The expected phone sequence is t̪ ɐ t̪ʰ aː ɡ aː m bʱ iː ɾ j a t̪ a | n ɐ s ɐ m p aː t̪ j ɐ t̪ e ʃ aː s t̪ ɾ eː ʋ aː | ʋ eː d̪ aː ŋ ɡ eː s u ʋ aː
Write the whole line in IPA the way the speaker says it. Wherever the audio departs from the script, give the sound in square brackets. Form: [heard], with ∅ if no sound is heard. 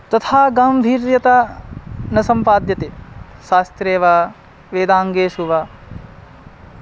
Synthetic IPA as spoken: t̪ ɐ t̪ʰ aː ɡ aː m bʱ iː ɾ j [ɐ] t̪ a | n ɐ s ɐ m p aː [d̪] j ɐ t̪ e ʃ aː s t̪ ɾ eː ʋ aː | ʋ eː d̪ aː ŋ ɡ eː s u ʋ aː